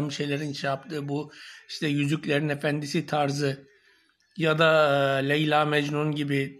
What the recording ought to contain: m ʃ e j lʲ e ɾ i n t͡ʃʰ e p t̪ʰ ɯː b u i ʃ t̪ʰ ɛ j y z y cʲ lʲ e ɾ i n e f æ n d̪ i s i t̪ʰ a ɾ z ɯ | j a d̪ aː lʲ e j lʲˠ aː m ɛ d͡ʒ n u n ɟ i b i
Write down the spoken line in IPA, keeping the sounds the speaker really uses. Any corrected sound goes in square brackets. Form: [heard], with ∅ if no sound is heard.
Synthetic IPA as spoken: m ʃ e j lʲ e ɾ i n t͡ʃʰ [a] p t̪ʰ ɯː b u i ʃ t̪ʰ ɛ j y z y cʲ lʲ e ɾ i n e f æ n d̪ i s i t̪ʰ a ɾ z ɯ | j a d̪ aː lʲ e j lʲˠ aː m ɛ d͡ʒ n u n ɟ i b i